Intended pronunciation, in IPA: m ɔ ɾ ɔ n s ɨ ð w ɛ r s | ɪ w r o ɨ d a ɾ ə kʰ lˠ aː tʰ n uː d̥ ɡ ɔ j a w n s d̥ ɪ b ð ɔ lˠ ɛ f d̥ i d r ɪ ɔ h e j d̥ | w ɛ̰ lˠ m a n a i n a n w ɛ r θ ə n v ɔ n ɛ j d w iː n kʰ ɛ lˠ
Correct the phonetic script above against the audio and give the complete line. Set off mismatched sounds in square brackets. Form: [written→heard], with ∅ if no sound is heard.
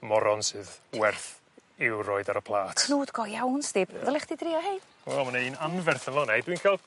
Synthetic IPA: m ɔ ɾ ɔ n s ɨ ð w ɛ r [s→θ] | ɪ w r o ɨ d a ɾ ə [kʰ→pʰ] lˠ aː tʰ n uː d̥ ɡ ɔ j a w n s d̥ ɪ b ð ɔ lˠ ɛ [f→χ] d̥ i d r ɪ ɔ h e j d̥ | w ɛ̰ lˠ m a n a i n a n [w→v] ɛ r θ ə n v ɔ n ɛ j d w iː n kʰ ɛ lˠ